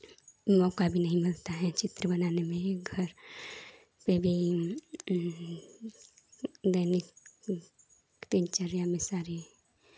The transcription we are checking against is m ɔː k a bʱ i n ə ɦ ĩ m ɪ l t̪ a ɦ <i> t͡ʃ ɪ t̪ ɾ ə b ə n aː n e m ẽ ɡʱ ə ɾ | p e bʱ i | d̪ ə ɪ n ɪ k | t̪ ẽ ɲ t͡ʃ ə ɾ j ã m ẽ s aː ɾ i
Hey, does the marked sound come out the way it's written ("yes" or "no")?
no